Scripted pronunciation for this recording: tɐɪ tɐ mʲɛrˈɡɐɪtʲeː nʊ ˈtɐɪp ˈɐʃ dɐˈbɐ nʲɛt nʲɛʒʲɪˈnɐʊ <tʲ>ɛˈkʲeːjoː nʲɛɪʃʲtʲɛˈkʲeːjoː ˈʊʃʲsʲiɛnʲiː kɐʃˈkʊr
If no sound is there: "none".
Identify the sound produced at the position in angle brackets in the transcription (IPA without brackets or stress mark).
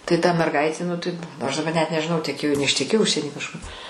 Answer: tʲ